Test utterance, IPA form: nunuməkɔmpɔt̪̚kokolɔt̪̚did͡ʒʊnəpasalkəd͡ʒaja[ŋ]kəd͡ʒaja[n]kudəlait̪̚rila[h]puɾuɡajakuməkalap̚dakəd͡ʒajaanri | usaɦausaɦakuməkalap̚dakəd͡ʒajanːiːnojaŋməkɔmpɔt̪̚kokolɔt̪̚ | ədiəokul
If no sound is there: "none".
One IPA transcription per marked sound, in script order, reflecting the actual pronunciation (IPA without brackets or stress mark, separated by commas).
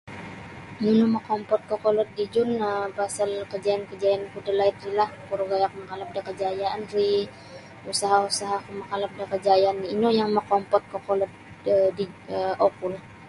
n, n, h